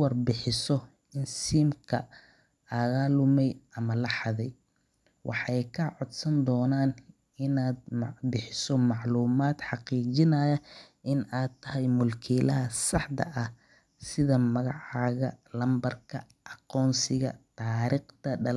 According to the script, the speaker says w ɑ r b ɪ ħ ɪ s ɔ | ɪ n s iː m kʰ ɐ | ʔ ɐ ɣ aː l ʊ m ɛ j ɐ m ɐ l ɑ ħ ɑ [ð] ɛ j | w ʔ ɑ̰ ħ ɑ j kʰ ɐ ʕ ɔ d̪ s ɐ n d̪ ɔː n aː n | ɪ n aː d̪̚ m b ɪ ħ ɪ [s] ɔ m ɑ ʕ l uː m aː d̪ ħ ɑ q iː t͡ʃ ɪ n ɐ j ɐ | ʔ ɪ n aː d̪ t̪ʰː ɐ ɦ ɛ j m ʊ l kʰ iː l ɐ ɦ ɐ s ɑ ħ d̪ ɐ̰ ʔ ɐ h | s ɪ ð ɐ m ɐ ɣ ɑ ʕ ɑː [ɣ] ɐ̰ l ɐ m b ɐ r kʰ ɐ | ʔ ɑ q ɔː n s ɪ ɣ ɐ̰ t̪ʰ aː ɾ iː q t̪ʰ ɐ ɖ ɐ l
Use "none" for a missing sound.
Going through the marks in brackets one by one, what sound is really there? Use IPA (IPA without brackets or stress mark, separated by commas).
ð, s, ɣ